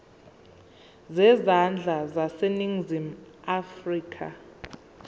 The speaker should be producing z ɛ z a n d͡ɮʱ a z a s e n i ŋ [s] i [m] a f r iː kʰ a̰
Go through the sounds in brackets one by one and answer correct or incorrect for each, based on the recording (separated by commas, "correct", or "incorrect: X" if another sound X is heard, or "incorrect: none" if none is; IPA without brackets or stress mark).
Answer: incorrect: z, correct